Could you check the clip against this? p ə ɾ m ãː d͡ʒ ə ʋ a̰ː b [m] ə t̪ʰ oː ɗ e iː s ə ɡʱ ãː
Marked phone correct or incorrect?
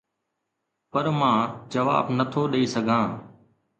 incorrect